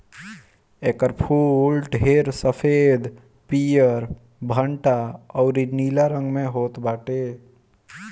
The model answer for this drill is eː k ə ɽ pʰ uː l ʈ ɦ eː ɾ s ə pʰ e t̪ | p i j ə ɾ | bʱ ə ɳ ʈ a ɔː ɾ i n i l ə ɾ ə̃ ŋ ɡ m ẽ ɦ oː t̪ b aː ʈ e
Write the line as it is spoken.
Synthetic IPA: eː k ə ɾ pʰ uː l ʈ ɦ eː ɾ s ə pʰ e d̪ | p i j ə ɾ | bʱ ə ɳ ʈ a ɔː ɾ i n i l a ɾ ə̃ ŋ ɡ m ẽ ɦ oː t̪ b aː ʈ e